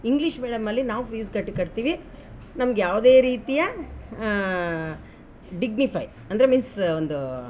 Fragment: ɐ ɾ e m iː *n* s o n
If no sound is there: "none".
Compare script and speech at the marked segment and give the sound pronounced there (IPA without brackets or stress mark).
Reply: n